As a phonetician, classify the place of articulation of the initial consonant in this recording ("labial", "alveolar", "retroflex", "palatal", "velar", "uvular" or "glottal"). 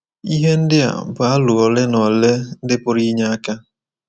glottal